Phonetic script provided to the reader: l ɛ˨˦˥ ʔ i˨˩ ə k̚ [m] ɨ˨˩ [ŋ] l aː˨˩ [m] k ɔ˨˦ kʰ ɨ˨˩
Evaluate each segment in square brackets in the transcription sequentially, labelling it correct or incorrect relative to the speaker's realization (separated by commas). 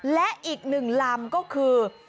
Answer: incorrect, correct, correct